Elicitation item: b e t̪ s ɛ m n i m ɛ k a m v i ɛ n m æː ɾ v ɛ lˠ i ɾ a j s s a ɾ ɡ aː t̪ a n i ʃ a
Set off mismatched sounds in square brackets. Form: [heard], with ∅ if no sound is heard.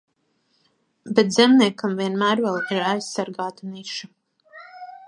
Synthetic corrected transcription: b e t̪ [z] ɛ m n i [∅] ɛ k a m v i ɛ n m æː ɾ v ɛ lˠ i ɾ a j s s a ɾ ɡ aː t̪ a n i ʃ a